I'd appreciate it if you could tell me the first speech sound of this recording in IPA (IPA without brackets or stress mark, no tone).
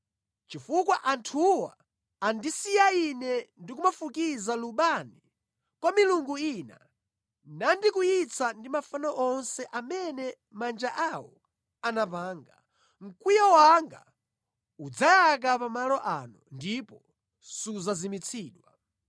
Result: t͡ʃ